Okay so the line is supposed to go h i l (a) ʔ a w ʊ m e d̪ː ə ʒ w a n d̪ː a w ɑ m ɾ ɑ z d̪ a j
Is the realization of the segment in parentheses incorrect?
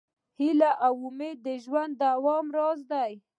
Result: no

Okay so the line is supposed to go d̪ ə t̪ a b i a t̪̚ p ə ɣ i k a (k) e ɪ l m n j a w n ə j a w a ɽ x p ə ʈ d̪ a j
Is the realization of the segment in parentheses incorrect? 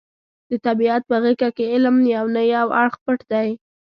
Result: no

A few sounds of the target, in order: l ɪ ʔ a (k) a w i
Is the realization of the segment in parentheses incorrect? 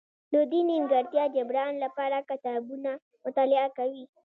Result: no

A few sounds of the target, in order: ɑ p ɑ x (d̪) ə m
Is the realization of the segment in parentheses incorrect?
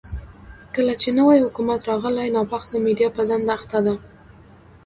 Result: no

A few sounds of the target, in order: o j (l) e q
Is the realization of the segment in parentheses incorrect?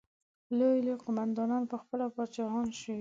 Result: no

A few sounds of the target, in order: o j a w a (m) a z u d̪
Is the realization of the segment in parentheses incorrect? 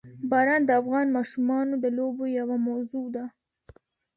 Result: no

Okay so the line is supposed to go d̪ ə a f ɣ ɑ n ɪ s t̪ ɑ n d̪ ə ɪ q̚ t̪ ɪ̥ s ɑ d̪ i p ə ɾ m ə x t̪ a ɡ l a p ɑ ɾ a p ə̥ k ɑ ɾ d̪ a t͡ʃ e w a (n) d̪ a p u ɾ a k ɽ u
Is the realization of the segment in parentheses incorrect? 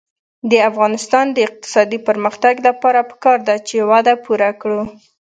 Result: yes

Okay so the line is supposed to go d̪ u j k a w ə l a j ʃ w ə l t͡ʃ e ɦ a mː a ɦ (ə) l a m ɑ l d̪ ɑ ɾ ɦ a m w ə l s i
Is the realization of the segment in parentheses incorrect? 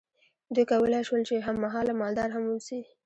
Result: yes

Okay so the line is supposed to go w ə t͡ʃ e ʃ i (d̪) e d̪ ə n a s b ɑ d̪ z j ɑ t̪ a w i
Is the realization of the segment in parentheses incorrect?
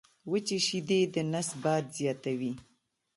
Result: no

